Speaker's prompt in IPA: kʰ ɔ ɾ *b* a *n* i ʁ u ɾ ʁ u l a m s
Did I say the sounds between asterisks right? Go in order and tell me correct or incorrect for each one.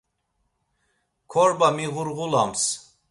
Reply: correct, incorrect: m

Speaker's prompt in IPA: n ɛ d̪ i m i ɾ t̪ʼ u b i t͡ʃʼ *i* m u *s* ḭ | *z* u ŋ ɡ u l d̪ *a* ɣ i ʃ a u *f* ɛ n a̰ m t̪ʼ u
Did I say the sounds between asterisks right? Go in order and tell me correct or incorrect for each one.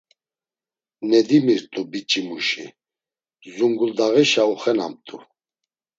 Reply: correct, incorrect: ʃ, correct, correct, incorrect: χ

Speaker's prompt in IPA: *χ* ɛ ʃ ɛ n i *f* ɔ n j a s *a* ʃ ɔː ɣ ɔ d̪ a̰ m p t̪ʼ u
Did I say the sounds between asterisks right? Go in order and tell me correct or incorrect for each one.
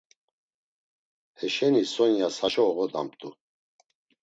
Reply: incorrect: h, incorrect: s, correct

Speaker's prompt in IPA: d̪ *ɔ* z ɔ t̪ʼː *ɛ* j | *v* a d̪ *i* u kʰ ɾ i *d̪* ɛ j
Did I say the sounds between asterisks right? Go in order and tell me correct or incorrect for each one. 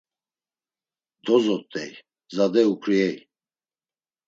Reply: correct, correct, incorrect: z, incorrect: ɛ, incorrect: none

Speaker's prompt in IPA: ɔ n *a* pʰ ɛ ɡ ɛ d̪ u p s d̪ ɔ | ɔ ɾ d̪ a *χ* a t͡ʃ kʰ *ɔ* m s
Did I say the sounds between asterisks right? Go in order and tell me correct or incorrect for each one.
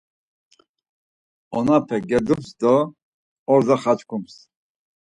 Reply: correct, correct, incorrect: u

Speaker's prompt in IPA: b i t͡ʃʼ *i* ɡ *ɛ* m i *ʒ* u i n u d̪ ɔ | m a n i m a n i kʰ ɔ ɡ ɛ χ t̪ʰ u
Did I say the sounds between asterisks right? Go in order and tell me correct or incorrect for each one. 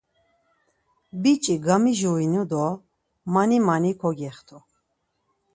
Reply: correct, incorrect: a, correct

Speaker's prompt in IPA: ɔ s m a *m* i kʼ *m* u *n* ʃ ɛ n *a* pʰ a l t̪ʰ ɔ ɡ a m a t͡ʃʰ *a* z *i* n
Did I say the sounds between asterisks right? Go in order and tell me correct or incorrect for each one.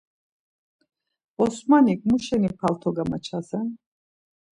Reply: incorrect: n, correct, incorrect: none, incorrect: i, correct, incorrect: ɛ

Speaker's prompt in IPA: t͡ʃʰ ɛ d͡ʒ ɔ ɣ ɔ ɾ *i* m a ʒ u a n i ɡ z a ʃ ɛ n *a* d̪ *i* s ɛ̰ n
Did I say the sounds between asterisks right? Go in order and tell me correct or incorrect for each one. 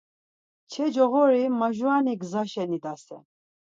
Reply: correct, incorrect: i, incorrect: a

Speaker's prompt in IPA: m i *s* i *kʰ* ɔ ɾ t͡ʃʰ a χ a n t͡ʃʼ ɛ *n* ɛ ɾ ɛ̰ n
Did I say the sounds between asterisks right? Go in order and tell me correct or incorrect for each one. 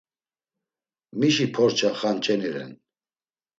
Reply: incorrect: ʃ, incorrect: pʰ, correct

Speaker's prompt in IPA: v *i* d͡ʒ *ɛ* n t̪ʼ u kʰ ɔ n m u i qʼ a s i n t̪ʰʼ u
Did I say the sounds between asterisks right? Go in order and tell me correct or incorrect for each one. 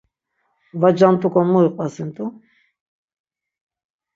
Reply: incorrect: a, incorrect: a

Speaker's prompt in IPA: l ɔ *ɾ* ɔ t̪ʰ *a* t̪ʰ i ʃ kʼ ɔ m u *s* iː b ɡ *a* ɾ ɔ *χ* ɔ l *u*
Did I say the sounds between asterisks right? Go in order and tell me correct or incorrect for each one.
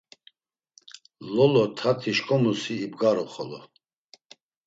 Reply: incorrect: l, correct, correct, correct, correct, incorrect: ɔ

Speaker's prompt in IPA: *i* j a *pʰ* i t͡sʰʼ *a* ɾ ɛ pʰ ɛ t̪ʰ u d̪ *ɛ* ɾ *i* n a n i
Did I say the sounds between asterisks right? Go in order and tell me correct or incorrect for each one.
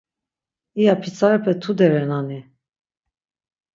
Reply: correct, correct, correct, correct, incorrect: ɛ

